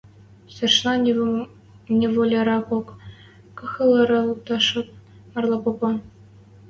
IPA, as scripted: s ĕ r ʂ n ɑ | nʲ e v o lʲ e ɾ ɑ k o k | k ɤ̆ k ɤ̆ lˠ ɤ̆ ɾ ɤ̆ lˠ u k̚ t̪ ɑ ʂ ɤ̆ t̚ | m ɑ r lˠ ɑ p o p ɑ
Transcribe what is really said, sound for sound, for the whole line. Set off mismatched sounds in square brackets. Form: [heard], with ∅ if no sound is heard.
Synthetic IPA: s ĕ r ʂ n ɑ | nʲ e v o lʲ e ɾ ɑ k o k | k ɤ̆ [x] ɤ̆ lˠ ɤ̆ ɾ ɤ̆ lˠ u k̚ t̪ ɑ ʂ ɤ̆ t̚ | m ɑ r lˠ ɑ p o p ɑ